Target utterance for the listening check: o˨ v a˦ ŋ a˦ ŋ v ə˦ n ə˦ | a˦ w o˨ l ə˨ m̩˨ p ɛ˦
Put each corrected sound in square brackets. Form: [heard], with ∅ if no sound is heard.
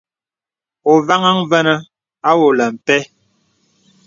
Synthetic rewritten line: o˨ v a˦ ŋ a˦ ŋ v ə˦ n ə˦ | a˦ w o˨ l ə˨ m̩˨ p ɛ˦